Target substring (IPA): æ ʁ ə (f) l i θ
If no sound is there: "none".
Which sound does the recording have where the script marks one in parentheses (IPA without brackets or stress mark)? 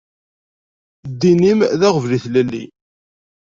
v